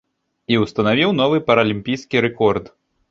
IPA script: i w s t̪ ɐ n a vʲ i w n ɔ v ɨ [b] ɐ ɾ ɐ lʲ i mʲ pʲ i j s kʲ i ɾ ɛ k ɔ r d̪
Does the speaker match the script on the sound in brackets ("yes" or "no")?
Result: no